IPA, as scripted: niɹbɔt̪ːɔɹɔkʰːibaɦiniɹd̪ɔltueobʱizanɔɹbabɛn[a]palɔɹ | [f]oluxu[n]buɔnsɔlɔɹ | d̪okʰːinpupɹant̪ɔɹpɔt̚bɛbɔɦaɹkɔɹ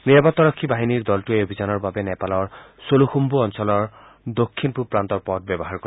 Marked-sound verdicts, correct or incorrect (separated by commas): incorrect, incorrect, incorrect